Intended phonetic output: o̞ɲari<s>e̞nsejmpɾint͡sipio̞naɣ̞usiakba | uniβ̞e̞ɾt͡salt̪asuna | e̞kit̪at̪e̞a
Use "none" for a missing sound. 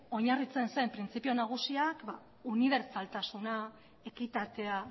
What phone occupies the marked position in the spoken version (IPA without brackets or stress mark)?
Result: t͡s